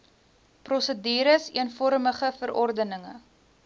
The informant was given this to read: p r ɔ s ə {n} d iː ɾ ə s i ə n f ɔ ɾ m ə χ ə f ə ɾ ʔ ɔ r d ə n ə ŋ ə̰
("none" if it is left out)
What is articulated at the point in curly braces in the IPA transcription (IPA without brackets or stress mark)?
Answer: none